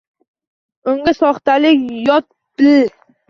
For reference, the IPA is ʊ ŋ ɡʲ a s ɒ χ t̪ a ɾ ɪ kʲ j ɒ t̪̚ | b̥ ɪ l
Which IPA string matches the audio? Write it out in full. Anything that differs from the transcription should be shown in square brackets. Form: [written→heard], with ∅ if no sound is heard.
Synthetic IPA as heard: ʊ ŋ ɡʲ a s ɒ χ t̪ a [ɾ→l] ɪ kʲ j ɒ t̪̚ | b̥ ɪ l